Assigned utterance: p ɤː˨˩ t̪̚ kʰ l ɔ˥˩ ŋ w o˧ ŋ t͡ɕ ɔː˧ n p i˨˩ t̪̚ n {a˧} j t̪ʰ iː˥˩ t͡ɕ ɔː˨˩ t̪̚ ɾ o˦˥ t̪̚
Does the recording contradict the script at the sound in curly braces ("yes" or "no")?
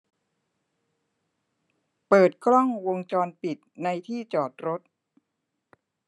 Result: no